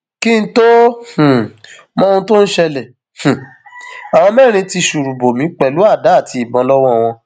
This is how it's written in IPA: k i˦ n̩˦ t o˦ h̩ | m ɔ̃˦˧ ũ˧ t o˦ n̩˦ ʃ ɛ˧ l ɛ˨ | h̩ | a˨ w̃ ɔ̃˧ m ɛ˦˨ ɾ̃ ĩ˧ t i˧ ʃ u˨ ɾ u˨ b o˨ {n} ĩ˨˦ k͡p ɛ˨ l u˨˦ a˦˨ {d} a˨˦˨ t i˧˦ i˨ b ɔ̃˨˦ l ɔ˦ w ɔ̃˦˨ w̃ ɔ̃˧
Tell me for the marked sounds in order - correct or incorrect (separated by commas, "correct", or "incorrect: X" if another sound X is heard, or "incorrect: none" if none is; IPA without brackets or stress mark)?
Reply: incorrect: m, correct